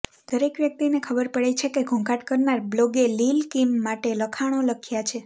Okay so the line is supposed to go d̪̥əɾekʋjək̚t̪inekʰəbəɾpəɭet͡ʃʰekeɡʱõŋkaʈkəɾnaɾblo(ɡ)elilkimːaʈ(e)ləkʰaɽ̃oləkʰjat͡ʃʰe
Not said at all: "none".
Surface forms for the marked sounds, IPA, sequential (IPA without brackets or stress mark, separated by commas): ɡ, e